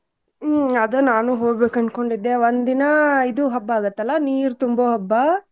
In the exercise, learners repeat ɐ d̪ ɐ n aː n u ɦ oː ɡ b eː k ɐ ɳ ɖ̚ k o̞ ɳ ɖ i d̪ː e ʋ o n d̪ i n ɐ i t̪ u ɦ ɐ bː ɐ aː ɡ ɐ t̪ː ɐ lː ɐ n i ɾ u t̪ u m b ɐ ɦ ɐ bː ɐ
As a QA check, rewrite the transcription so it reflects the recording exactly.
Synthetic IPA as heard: ɐ d̪ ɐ n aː n u ɦ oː ɡ b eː k ɐ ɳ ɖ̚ k o̞ ɳ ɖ i d̪ː e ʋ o n d̪ i n ɐ i d̪ u ɦ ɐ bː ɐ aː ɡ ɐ t̪ː ɐ lː ɐ n iː ɾ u t̪ u m b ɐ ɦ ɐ bː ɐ